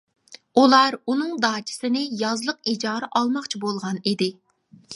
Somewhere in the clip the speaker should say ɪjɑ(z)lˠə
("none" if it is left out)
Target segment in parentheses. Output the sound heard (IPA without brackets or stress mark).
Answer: z